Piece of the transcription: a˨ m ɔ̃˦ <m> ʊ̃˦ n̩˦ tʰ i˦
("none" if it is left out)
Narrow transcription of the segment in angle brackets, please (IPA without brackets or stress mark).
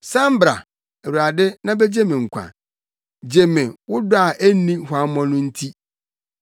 n